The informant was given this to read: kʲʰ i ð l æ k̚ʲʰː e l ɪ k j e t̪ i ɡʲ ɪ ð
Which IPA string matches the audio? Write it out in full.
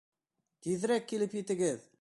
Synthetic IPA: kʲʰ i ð ɾ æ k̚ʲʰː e l ɪ p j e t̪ ɪ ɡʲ ɪ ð